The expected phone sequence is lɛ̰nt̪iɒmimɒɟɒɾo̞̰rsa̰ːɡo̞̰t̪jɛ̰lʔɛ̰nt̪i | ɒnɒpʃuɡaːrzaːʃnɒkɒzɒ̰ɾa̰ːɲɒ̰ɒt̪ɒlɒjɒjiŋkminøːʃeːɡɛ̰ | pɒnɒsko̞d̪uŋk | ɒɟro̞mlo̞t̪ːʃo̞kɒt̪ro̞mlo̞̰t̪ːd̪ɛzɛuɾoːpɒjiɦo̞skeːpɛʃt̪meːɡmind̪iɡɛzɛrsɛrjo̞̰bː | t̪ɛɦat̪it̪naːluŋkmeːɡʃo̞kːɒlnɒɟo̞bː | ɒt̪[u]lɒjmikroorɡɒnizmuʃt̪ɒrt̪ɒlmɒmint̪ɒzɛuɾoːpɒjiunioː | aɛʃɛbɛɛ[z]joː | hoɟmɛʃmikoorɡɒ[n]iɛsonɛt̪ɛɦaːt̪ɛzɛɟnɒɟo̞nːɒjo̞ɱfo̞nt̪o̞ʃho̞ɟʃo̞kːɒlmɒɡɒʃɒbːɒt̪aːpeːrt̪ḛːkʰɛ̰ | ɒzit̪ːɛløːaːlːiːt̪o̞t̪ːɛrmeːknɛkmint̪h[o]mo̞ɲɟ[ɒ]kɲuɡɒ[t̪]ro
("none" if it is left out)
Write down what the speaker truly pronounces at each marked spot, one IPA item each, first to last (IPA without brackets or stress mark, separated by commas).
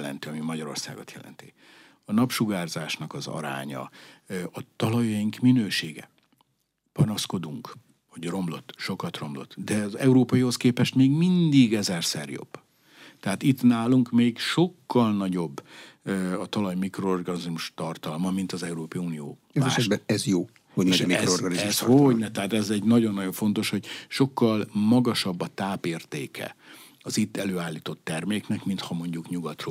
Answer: ɒ, z, n, ɒ, u, t̪